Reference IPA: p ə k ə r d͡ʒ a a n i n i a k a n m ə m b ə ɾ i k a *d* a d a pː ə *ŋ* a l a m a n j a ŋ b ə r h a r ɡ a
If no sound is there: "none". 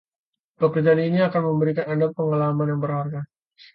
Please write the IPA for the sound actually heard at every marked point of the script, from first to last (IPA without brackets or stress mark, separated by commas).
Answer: n, ŋ